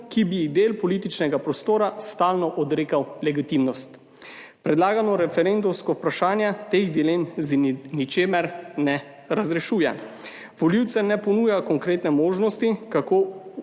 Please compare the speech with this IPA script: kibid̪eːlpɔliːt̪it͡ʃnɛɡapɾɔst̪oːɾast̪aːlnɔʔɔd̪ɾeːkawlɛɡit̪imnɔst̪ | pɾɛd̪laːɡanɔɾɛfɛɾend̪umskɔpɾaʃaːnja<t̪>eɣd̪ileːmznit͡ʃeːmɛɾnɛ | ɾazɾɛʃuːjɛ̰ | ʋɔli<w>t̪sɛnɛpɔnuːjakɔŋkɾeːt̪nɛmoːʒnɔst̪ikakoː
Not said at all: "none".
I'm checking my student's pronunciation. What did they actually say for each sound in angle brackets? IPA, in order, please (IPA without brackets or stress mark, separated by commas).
t̪, w